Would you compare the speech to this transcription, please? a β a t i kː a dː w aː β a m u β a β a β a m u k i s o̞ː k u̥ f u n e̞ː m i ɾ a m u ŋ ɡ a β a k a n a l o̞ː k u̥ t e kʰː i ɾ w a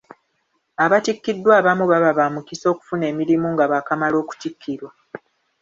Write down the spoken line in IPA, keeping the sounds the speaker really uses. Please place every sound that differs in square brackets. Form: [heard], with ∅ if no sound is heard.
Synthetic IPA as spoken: a β a t i kː [i] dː w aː β a m u β a β a β a m u k i s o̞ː k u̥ f u n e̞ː m i ɾ [i] m u ŋ ɡ a β a k a [m] a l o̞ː k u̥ t [i] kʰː i ɾ w a

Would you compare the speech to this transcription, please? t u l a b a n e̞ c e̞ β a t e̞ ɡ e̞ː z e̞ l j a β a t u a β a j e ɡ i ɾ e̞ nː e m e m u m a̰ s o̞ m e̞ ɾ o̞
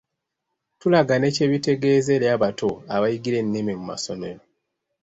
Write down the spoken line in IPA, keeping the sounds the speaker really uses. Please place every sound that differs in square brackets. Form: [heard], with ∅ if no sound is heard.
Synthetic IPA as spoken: t u l a [ɡ] a n e̞ c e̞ β [i] t e̞ ɡ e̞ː z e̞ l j a β a t [o] a β a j [i] ɡ i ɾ e̞ nː e m e m u m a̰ s o̞ m e̞ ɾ o̞

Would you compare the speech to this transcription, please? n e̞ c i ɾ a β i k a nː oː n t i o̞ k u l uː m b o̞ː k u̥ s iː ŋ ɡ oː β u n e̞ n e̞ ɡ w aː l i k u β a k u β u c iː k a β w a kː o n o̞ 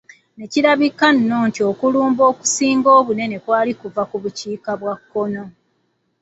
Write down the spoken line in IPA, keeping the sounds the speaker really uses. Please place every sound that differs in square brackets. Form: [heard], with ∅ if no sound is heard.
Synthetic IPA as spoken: n e̞ c i ɾ a β i k a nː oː n t i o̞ k u l uː m b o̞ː k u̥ s iː ŋ ɡ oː β u n e̞ n e̞ [k] w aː l i k u [v] a k u β u c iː k a β w a kː o n o̞

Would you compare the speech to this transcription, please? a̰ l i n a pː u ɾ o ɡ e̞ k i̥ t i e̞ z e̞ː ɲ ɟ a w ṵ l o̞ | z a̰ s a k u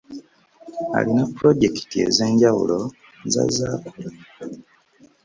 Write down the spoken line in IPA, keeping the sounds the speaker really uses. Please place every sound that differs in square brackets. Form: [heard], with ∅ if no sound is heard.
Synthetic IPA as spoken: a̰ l i n a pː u ɾ o [ɟ] e̞ k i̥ t i e̞ z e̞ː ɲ ɟ a w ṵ l o̞ | z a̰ [z] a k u

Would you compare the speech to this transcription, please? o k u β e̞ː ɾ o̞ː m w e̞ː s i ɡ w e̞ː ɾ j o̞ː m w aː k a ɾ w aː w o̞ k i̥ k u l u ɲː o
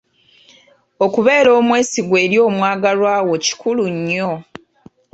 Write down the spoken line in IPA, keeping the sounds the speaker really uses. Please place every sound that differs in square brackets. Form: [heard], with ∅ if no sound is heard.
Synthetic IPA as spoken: o k u β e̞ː ɾ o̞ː m w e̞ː s i ɡ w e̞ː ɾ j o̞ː m w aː [ɡ] a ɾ w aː w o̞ [c] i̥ k u l u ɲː o

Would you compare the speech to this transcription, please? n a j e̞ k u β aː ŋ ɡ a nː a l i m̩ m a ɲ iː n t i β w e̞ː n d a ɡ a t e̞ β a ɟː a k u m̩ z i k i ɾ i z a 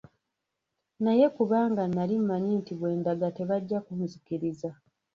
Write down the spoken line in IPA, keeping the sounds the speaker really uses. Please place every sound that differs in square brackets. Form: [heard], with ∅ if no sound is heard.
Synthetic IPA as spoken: n a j e̞ k u β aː ŋ ɡ a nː a l i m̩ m a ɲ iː n t i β w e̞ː n d a ɡ a t e̞ β a ɟː a k u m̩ z i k i ɾ i z a

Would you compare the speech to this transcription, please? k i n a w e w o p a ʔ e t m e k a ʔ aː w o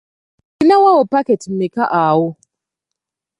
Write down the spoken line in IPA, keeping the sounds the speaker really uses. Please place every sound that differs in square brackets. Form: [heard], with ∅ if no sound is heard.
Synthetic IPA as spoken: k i n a w [a] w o p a [k] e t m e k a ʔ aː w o

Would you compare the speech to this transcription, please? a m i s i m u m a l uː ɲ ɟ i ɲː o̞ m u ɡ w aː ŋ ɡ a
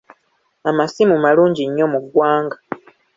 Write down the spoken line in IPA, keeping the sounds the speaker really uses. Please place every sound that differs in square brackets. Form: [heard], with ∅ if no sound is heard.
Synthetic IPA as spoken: a m [a] s i m u m a l uː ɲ ɟ i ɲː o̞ m u ɡ w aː ŋ ɡ a

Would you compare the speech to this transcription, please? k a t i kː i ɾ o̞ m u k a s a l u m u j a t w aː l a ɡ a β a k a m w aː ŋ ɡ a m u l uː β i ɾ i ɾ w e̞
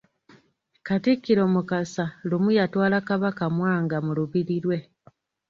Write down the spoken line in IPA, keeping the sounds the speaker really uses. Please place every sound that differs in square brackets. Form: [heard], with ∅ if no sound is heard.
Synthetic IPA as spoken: k a t i kː i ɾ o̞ m u k a s a l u m u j a t w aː l a [k] a β a k a m w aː ŋ ɡ a m u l [u] β i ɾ i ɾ w e̞

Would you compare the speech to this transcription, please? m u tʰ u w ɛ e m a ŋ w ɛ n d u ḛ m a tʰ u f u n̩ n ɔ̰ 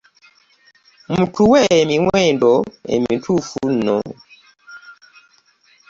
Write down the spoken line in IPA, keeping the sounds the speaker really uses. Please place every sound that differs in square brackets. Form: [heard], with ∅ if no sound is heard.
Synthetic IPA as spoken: m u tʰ u w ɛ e m [i] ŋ w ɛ n d [ɔ] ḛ m [i] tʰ u f u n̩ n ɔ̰

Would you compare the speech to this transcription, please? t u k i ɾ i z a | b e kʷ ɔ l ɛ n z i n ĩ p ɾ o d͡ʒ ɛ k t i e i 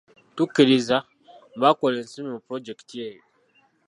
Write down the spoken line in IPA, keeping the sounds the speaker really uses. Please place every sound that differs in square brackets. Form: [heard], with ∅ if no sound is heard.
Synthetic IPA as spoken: t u k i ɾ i z a | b [a] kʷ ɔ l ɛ n [s] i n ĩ p ɾ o d͡ʒ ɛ k t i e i

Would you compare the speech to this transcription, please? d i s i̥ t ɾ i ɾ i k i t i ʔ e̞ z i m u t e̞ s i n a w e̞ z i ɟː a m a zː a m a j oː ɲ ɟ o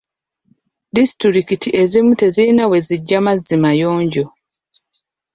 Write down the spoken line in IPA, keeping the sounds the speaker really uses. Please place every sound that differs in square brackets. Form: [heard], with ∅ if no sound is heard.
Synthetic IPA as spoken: d i s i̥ t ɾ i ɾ i k i t i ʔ e̞ z i m u t e̞ [z] i n a w e̞ z i ɟː a m a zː [i] m a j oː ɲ ɟ o

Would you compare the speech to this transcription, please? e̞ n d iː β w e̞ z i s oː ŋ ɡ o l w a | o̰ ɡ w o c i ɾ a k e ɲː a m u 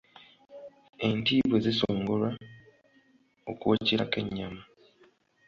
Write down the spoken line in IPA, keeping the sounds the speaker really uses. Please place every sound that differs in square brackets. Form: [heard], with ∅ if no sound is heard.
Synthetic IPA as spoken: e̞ n [t] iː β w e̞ z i s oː ŋ ɡ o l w a | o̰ [k] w o c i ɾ a k e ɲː a m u

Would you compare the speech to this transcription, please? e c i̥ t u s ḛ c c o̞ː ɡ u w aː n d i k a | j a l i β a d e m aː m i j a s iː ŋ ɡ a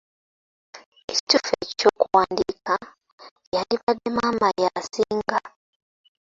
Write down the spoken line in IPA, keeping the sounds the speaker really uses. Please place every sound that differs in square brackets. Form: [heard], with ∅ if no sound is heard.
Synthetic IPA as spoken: e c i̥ t u [f] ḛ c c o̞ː [k] u w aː n d i k a | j a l i β a d e m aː m [a] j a s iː ŋ ɡ a

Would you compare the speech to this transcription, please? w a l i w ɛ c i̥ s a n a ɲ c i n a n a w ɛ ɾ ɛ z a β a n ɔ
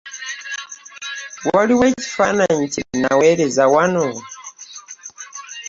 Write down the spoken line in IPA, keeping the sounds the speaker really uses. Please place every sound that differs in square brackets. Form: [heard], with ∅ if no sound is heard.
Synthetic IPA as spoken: w a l i w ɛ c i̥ [f] a n a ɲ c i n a n a w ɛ ɾ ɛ z a [w] a n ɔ

